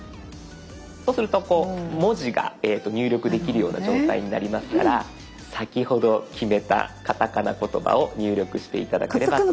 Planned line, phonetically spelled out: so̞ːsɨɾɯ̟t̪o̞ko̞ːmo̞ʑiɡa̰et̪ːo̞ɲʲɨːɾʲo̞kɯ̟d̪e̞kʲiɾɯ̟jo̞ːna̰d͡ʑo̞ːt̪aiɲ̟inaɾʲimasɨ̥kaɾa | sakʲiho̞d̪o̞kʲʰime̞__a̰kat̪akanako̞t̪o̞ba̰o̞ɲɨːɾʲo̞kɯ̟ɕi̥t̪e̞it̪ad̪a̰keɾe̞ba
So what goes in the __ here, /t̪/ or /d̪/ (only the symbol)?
t̪